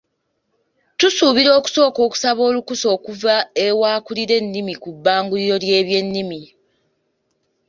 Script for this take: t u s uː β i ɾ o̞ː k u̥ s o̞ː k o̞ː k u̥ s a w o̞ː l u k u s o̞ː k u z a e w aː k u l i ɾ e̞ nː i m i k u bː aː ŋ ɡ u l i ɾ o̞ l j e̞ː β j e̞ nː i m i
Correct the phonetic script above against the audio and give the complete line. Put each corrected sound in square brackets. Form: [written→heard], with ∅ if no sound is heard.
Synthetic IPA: t u s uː β i ɾ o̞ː k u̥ s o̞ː k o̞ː k u̥ s a [w→β] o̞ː l u k u s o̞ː k u [z→v] a e w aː k u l i ɾ e̞ nː i m i k u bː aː ŋ ɡ u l i ɾ o̞ l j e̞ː β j e̞ nː i m i